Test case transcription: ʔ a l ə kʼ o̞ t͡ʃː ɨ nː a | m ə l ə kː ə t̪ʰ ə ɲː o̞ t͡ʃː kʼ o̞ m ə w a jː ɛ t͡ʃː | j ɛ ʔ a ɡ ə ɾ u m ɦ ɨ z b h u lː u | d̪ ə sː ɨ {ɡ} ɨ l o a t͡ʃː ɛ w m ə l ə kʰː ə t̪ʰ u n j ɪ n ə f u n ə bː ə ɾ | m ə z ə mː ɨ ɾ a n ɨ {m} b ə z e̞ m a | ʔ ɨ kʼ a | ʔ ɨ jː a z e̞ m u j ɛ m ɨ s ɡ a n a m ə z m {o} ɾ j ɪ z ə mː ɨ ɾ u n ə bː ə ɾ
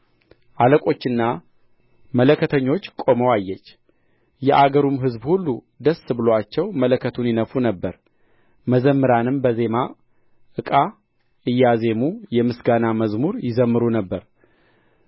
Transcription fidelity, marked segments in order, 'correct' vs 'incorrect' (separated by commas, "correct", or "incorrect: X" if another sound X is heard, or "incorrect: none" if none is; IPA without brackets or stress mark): incorrect: b, correct, incorrect: u